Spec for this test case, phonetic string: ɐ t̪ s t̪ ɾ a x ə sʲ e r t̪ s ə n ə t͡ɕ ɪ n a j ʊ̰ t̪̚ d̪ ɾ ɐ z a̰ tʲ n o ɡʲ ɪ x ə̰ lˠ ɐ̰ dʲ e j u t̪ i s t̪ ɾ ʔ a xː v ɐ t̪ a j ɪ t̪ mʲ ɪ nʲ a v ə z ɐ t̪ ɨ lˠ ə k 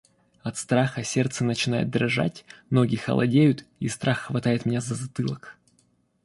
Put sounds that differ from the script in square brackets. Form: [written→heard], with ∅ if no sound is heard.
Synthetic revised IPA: ɐ t̪ s t̪ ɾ a x ə sʲ e r t̪ s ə n ə t͡ɕ ɪ n a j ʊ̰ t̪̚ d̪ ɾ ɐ [z→ʐ] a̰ tʲ n o ɡʲ ɪ x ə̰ lˠ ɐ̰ dʲ e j [u→ʊ] t̪ i s t̪ ɾ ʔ a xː v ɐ t̪ a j ɪ t̪ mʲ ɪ nʲ a [v→z] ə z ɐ t̪ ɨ lˠ ə k